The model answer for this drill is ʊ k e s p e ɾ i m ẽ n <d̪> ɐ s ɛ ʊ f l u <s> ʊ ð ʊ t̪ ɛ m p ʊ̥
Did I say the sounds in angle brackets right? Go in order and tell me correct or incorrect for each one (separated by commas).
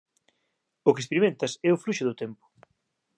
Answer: incorrect, incorrect